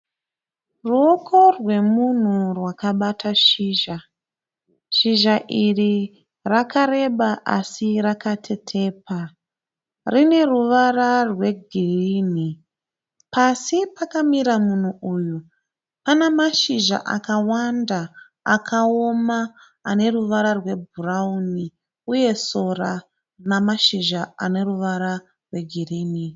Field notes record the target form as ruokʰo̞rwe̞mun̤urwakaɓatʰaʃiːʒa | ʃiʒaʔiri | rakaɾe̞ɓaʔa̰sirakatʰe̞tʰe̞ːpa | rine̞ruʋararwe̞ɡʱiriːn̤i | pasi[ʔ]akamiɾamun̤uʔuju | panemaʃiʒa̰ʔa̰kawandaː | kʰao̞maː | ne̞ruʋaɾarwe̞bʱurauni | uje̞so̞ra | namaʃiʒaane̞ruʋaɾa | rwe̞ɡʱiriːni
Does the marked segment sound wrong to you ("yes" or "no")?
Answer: yes